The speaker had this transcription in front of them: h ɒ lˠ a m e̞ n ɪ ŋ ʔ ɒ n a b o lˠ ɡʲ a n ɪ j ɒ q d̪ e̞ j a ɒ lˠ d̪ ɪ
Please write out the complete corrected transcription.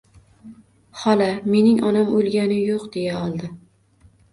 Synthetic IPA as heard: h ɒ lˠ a m e̞ n ɪ ŋ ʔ ɒ n a m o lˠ ɡʲ a n ɪ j o q d̪ e̞ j a ɒ lˠ d̪ ɪ